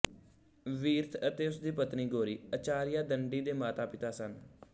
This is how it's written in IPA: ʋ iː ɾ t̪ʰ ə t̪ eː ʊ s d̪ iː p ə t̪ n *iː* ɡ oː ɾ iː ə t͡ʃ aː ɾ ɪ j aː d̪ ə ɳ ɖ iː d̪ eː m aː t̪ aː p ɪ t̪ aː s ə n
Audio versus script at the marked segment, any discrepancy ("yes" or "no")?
no